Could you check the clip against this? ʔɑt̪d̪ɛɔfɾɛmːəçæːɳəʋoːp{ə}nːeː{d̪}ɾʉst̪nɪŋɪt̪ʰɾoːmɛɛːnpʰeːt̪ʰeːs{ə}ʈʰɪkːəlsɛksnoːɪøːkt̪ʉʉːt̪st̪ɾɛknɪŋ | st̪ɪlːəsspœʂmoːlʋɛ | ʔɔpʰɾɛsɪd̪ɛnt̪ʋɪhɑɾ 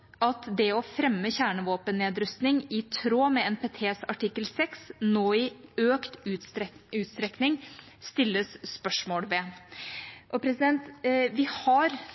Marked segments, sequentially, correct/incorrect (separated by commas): correct, correct, incorrect